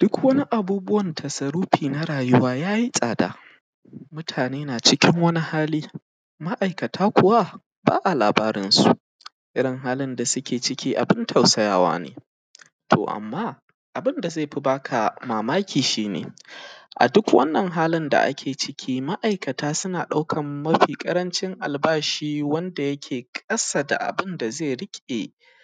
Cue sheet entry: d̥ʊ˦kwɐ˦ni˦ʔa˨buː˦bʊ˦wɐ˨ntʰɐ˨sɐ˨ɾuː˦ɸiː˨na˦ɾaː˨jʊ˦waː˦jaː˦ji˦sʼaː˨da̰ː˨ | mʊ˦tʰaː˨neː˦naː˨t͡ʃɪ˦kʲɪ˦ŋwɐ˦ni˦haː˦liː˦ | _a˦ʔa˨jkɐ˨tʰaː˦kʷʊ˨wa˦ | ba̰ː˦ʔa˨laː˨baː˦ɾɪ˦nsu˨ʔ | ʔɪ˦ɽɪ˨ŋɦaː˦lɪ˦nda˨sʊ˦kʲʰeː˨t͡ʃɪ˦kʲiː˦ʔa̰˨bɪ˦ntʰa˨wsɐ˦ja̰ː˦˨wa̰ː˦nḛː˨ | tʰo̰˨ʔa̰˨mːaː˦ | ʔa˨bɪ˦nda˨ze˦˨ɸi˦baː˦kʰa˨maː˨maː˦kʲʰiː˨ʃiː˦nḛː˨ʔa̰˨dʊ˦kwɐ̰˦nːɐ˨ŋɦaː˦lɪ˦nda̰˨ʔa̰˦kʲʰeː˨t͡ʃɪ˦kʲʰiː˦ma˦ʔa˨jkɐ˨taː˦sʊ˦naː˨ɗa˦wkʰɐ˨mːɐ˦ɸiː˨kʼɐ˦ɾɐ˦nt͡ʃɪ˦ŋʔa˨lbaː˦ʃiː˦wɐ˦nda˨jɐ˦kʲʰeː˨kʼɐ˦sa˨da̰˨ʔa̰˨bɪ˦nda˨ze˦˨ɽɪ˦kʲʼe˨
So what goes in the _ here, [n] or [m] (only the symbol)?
m